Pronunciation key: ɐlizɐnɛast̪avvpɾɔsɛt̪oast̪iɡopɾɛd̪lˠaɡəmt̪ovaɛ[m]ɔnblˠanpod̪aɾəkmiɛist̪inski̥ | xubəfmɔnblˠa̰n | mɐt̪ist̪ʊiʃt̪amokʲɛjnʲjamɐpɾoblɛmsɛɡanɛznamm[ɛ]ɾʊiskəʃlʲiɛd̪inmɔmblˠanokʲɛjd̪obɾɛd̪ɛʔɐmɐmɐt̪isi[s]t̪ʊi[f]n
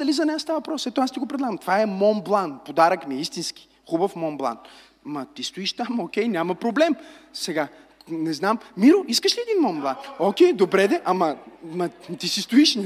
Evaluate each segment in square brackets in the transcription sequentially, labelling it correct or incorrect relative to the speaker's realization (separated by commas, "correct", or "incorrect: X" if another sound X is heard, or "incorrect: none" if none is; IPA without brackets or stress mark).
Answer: correct, incorrect: i, correct, incorrect: ʃ